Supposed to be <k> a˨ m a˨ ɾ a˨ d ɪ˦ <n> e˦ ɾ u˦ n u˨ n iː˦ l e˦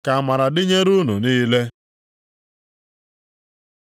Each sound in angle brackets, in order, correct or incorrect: correct, incorrect: ɲ

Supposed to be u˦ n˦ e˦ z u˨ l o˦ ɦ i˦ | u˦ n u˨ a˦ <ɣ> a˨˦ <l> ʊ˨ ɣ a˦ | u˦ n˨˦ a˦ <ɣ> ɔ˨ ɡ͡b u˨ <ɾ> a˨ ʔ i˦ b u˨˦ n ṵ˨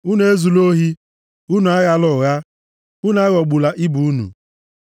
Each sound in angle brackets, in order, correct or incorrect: correct, correct, correct, incorrect: l

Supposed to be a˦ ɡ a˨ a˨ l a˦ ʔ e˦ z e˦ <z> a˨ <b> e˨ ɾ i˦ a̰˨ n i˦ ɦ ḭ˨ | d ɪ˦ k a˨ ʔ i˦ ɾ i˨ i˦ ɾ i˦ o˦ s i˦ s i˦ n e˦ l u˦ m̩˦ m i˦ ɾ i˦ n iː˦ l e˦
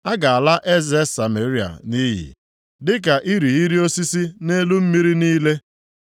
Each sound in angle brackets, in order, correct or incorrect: incorrect: s, incorrect: m

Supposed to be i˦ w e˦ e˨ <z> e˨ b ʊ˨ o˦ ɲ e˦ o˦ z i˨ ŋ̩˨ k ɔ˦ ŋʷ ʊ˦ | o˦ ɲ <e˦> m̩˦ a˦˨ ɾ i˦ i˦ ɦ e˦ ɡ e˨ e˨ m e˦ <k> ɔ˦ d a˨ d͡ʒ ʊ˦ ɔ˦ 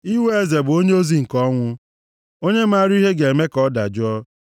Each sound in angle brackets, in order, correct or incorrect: correct, correct, correct

